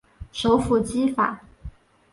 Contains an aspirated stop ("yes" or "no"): no